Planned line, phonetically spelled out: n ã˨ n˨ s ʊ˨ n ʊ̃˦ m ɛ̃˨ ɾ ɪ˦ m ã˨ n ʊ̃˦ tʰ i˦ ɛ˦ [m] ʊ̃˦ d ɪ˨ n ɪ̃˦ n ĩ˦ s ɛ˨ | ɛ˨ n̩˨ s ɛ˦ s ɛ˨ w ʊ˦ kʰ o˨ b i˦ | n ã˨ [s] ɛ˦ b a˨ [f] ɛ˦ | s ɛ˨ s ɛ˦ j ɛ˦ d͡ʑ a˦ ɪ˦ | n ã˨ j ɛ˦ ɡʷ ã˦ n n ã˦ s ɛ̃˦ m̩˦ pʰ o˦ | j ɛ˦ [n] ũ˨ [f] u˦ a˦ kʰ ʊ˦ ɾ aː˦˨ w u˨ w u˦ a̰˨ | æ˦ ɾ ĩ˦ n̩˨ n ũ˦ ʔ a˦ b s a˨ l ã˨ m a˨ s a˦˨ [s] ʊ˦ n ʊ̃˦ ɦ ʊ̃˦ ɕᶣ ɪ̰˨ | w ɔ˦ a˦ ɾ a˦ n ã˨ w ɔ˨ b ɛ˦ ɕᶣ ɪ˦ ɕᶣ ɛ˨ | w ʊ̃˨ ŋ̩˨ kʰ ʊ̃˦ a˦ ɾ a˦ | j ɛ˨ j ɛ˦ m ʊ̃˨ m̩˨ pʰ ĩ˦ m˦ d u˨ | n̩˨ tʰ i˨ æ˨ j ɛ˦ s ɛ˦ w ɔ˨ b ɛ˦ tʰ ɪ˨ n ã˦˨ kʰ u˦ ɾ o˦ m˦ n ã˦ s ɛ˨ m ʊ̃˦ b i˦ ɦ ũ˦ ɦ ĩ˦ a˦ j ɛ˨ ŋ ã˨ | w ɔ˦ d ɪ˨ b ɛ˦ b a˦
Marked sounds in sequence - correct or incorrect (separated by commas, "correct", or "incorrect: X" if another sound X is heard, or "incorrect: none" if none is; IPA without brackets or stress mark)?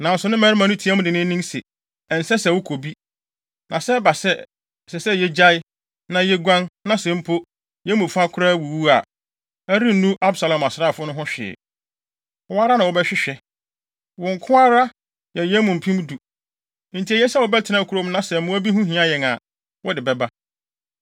correct, correct, incorrect: s, incorrect: m, correct, incorrect: f